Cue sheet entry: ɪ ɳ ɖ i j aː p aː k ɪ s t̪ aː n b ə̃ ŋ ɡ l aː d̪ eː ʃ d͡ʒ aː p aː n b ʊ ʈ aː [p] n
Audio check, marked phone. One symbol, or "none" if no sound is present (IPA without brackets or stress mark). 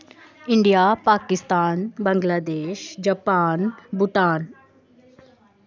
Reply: none